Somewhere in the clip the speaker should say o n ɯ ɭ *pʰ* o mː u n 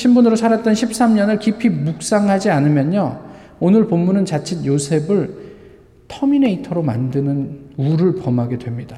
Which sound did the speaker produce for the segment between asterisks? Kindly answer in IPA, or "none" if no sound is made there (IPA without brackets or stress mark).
p